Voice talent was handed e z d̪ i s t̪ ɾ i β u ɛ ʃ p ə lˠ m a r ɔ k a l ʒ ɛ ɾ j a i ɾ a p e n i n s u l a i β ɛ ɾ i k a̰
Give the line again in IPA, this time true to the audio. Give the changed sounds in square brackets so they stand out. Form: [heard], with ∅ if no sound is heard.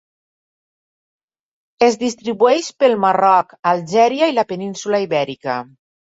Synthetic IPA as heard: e z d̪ i s t̪ ɾ i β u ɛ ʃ p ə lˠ m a r ɔ k a l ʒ ɛ ɾ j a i [l] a p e n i n s u l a i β ɛ ɾ i k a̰